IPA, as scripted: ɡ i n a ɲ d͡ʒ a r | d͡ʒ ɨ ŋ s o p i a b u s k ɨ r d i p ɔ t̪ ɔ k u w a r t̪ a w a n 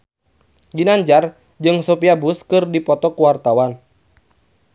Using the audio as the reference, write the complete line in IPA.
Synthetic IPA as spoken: ɡ i n a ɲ d͡ʒ a r | d͡ʒ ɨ ŋ s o p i a b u s k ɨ r d i p ɔ t̪ ɔ k u w a r t̪ a w a n